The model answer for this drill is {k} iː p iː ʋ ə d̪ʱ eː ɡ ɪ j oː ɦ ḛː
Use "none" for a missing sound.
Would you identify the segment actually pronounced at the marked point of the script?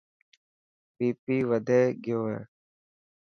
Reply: p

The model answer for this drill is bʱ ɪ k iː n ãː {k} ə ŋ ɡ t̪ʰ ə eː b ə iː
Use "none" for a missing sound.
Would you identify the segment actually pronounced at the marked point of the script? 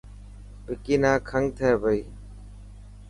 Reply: kʰ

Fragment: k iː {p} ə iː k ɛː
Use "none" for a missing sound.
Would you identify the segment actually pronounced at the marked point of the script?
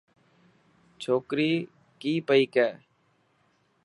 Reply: p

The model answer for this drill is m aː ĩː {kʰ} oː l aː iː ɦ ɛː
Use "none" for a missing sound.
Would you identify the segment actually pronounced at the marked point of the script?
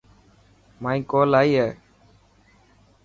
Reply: k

